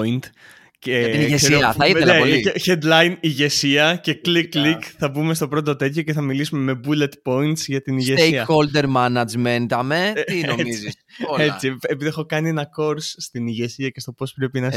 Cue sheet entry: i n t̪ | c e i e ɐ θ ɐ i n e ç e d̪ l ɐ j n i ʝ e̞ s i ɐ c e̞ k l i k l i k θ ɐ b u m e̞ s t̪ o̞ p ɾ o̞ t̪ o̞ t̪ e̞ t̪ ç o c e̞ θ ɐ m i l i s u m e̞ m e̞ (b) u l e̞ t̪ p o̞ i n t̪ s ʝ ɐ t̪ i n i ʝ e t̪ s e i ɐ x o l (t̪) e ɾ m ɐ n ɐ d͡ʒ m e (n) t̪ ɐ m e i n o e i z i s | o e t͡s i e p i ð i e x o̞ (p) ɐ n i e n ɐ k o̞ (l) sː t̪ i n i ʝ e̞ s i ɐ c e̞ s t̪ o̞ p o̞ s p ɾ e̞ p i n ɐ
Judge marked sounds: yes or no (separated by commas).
yes, no, yes, no, no